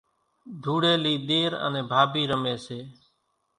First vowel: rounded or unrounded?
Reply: rounded